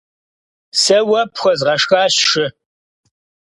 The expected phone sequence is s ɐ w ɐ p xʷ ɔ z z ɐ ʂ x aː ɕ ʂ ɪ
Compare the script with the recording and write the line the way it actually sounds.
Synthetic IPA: s ɐ w ɐ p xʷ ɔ z ʁ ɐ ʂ x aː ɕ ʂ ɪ